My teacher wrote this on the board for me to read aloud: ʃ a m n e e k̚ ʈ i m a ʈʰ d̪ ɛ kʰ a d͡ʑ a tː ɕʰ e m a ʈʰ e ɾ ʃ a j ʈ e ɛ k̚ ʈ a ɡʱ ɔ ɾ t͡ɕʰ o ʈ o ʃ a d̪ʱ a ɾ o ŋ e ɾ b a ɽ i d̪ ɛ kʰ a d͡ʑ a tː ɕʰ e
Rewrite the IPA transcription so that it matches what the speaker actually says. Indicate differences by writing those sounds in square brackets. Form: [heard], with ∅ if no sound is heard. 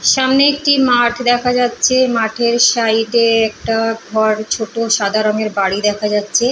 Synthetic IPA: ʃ a m n e e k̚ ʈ i m a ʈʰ d̪ ɛ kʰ a d͡ʑ a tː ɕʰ e m a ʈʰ e ɾ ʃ a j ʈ e ɛ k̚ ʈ a ɡʱ ɔ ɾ t͡ɕʰ o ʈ o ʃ a d̪ʱ a ɾ o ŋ e ɾ b a ɽ i d̪ ɛ kʰ a d͡ʑ a tː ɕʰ e